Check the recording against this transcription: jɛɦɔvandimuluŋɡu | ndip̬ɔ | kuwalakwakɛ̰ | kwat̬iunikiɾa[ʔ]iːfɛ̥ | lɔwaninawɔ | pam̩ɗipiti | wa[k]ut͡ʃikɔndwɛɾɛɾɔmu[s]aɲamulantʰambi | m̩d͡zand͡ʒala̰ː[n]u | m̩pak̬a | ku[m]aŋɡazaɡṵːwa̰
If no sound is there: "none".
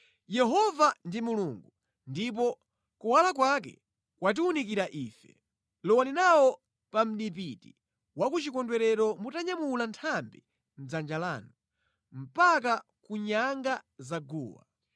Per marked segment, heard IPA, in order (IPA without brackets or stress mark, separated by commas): ʔ, k, t, n, ɲ